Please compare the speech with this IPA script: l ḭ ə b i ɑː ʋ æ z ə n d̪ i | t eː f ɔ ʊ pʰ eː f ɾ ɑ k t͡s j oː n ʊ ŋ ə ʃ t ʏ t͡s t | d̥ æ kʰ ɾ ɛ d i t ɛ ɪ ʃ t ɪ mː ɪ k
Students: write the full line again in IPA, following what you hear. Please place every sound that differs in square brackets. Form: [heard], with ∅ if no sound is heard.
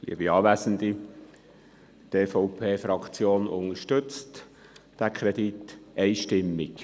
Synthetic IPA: l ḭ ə b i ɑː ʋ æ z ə n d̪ i | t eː f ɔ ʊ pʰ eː f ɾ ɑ k t͡s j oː n ʊ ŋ ə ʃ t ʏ t͡s t | d̥ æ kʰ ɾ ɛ d i t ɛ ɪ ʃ t ɪ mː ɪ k